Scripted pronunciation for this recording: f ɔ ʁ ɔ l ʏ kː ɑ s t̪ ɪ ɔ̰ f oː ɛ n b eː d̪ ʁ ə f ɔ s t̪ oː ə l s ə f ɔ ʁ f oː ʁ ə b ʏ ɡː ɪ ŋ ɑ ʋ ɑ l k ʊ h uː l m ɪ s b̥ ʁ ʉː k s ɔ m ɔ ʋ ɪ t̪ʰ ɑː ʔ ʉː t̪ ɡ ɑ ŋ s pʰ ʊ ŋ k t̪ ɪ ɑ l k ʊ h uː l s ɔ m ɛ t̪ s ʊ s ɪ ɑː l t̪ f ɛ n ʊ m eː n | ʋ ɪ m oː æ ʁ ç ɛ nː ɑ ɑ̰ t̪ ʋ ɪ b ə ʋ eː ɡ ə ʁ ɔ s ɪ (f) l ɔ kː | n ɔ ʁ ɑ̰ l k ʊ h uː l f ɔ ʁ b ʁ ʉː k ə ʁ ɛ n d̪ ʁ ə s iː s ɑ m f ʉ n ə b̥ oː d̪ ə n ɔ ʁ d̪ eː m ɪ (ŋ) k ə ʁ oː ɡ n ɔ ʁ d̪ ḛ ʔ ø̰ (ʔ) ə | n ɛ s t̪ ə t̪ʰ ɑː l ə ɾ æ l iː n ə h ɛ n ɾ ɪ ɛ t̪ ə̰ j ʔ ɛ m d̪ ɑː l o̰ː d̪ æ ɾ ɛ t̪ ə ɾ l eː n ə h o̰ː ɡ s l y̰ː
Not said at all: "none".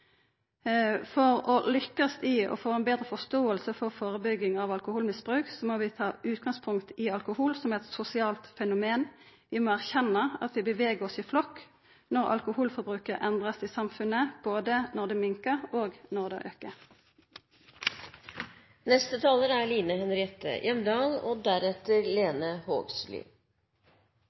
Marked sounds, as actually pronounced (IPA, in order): f, ŋ, k

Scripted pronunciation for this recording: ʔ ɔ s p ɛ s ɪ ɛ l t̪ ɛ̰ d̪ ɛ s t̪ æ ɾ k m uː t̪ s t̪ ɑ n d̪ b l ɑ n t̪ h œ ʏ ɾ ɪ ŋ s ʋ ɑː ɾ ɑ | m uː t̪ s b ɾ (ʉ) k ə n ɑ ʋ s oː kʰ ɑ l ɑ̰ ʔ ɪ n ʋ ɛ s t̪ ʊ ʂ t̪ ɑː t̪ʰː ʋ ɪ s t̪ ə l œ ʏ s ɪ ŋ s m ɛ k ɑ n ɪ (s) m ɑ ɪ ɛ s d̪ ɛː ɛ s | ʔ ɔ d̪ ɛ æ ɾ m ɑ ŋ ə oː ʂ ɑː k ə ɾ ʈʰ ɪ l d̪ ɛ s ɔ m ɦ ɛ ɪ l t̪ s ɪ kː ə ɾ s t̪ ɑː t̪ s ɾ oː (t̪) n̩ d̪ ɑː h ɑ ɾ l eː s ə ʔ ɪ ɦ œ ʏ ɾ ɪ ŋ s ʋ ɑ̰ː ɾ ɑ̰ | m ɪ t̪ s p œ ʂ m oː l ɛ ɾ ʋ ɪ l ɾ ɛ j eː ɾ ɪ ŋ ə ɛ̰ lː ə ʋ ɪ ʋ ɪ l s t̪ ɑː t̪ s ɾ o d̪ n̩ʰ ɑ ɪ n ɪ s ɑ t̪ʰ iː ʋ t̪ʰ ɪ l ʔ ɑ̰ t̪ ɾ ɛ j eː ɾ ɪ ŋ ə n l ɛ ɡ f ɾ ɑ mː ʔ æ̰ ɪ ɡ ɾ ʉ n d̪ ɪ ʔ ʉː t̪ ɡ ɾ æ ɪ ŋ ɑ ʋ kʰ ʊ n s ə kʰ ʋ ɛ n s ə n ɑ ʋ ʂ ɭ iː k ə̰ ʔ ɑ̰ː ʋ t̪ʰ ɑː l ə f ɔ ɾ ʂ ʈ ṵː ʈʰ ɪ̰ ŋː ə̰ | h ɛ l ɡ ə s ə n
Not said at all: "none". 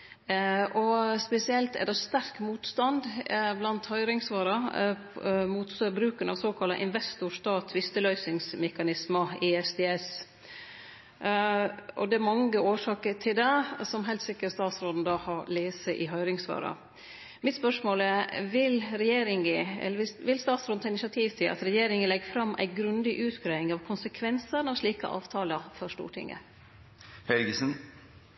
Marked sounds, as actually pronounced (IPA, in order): ʉː, s, d̪

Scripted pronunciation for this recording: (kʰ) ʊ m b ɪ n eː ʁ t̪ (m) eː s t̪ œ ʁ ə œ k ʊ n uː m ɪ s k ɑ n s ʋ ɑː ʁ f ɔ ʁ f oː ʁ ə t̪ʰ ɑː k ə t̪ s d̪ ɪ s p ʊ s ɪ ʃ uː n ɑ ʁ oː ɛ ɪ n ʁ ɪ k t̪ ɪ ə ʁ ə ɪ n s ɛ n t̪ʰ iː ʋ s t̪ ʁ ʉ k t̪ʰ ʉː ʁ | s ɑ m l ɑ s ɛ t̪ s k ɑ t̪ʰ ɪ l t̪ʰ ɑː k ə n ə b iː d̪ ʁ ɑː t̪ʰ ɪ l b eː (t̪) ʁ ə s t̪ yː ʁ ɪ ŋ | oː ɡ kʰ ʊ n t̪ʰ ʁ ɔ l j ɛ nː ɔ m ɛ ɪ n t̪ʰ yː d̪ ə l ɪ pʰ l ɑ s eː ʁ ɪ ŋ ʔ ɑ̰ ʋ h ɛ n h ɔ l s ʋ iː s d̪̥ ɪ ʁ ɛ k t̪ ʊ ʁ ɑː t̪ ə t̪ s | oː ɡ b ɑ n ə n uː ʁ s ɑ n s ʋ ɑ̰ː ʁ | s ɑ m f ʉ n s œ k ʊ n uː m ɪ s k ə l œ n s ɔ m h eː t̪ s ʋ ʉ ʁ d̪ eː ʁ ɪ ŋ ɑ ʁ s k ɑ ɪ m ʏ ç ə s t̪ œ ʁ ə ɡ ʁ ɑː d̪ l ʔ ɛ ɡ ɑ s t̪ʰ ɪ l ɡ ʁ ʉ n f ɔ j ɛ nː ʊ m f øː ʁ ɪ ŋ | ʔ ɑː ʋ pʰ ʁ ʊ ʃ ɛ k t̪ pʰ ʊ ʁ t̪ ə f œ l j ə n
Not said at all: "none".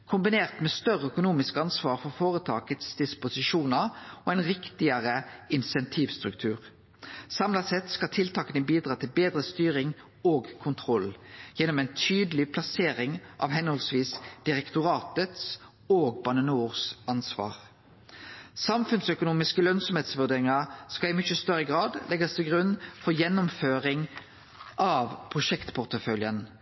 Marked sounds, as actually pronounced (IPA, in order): kʰ, m, d̪

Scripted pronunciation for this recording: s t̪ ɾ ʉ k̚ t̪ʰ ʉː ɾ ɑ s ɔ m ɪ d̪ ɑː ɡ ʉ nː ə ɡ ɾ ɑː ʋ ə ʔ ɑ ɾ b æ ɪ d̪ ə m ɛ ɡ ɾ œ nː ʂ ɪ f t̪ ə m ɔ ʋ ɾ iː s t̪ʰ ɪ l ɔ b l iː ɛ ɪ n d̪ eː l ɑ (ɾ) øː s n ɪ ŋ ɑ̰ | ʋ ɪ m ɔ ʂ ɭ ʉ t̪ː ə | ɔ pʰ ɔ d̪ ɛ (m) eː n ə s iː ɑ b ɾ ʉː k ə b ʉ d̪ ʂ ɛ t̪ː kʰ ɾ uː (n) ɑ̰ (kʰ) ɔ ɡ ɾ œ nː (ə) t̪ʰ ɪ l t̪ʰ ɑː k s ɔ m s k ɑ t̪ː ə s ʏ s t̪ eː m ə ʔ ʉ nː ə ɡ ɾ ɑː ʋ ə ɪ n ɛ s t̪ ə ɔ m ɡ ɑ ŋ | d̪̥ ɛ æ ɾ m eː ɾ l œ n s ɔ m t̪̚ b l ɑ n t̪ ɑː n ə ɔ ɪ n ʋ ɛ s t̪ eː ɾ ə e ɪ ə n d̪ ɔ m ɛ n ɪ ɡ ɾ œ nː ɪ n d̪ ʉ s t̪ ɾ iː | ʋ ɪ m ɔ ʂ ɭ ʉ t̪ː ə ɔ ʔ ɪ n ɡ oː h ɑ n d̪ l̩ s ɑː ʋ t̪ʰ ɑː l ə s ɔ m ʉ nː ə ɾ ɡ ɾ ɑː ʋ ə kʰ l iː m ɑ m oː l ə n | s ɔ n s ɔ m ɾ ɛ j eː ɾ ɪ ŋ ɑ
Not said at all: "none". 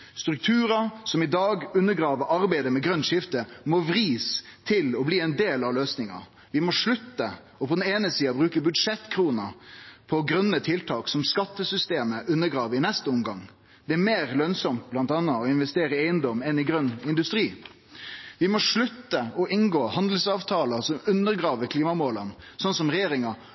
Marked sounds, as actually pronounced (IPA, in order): l, n, n, pʰ, ə

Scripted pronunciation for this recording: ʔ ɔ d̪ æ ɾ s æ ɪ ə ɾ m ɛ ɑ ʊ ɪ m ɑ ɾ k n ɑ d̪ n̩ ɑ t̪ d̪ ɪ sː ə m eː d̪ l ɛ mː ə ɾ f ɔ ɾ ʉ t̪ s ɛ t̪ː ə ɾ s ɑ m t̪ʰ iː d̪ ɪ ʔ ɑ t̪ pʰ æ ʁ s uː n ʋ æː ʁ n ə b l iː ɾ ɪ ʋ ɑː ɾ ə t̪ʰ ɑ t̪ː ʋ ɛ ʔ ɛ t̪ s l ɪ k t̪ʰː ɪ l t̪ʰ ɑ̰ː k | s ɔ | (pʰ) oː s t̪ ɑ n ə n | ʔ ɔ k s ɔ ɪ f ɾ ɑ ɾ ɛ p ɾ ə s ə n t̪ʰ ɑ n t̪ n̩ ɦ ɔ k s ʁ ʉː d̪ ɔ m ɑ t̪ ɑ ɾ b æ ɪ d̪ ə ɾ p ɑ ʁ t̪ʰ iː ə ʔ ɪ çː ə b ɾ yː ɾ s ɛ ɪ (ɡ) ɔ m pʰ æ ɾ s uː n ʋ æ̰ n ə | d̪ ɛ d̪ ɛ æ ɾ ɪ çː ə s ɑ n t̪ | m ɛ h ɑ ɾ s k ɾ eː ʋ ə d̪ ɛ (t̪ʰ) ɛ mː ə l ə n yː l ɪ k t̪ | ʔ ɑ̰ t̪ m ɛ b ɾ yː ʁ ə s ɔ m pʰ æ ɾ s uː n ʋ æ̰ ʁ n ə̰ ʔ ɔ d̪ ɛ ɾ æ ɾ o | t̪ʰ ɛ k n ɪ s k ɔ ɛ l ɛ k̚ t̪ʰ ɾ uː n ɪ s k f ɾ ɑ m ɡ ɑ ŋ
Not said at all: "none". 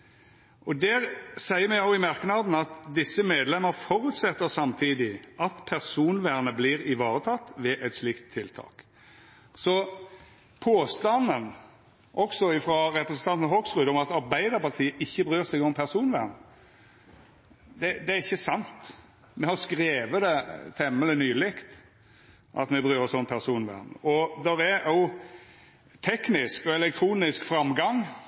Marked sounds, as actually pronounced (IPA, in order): pʰ, ɡ, t̪ʰ

